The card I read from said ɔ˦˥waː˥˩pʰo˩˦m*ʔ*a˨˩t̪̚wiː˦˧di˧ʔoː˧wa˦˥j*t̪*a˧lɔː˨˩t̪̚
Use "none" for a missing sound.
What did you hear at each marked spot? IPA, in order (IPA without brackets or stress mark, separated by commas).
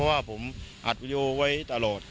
ʔ, t̪